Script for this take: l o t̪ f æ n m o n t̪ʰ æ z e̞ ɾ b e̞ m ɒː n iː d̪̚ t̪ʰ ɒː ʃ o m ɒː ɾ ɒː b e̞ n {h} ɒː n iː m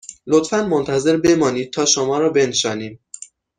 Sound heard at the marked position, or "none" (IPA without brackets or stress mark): ʃ